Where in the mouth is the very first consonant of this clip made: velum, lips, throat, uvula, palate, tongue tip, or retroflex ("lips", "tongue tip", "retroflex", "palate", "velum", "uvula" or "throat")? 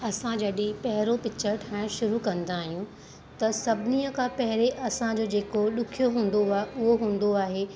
tongue tip